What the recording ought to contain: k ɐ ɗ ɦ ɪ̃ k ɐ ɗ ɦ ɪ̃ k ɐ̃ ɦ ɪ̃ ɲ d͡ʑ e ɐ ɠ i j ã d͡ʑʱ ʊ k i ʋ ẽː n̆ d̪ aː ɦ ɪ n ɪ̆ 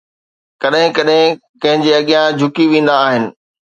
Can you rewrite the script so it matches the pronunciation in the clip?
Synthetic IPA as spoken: k ɐ ɗ ɦ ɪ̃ k ɐ ɗ ɦ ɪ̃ k ɐ̃ ɦ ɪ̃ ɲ d͡ʑ e ɐ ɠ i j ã d͡ʑʱ ʊ k i ʋ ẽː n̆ d̪ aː ɦ ɪ n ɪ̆